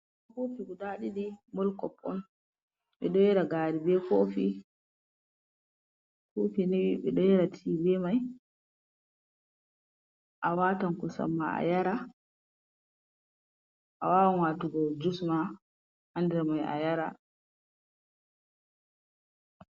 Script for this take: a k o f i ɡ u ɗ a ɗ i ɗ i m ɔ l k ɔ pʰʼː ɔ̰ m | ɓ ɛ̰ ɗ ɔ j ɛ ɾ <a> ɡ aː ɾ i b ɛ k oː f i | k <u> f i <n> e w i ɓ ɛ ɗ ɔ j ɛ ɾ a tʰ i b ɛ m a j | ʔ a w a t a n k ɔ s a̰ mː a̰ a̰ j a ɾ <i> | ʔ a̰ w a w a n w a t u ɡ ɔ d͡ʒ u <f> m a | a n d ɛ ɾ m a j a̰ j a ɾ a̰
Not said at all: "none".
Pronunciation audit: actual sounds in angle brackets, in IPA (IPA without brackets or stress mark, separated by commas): a, o, n, a, s